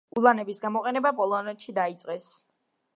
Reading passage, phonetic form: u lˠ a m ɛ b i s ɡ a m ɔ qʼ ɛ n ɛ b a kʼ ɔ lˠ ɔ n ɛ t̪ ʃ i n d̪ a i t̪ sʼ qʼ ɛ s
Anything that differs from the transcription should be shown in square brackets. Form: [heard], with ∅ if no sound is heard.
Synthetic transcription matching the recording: u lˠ a [n] ɛ b i s ɡ a m ɔ qʼ ɛ n ɛ b a [pʼ] ɔ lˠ ɔ n ɛ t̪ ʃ i [∅] d̪ a i t̪ sʼ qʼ ɛ s